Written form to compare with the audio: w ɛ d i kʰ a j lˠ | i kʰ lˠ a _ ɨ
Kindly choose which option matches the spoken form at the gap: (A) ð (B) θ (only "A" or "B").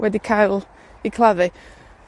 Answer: A